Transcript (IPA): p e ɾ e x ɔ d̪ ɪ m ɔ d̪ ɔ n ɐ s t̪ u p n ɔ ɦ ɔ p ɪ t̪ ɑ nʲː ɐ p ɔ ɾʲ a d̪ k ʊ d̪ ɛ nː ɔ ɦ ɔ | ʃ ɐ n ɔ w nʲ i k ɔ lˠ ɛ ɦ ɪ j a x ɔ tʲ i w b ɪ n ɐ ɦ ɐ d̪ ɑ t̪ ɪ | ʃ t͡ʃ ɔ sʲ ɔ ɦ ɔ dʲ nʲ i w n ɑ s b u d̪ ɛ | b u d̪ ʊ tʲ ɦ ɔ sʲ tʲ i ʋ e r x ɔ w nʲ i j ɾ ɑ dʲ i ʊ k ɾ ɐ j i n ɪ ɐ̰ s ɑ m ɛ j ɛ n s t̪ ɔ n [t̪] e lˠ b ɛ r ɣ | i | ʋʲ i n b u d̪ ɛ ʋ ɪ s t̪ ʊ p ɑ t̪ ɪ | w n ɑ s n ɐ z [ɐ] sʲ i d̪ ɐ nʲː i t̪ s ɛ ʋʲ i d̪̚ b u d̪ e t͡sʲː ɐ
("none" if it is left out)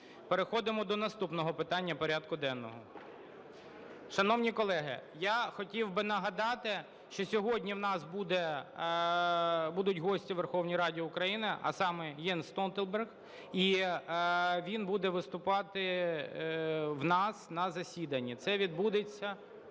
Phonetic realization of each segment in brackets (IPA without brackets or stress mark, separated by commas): t̪, ɐ